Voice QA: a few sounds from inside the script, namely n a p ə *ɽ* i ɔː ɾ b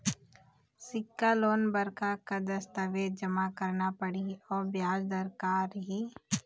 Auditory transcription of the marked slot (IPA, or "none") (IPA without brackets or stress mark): ɽ